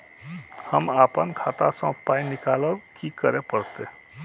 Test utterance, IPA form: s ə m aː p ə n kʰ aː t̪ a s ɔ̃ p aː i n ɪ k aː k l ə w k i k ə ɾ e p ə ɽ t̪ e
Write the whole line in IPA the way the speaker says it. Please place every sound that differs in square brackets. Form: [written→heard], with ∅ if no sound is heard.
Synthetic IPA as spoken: [s→h] ə m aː p ə n kʰ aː t̪ a s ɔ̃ p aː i n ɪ k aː [k→∅] l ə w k i k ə ɾ e p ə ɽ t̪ e